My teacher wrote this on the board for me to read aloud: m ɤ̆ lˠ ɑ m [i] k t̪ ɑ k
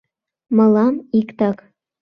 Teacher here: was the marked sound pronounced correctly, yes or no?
yes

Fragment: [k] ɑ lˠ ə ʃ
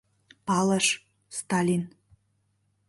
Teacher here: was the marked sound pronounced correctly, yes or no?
no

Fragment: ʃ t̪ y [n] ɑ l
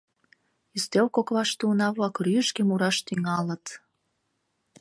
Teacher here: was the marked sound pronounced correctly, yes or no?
no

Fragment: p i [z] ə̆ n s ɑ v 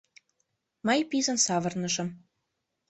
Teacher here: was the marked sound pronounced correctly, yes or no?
yes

